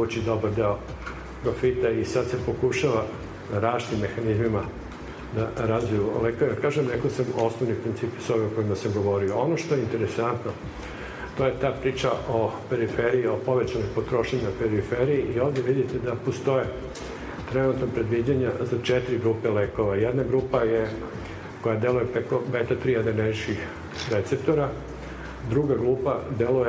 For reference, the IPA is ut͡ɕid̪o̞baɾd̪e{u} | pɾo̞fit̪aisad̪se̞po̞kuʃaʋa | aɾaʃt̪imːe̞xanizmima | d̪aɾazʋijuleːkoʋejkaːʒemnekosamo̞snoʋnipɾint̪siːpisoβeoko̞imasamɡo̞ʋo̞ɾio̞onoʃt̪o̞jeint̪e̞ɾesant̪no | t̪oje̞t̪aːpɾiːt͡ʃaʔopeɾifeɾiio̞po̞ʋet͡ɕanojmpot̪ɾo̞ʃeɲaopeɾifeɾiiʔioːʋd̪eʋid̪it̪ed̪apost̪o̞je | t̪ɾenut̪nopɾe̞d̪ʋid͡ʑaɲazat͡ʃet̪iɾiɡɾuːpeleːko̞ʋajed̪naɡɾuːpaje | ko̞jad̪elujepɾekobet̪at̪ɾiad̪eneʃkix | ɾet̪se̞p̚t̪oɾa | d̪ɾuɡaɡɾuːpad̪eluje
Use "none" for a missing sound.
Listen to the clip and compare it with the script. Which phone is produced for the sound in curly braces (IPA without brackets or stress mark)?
o